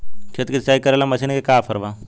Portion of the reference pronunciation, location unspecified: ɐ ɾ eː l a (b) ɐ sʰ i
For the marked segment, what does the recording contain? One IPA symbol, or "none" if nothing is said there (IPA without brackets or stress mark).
m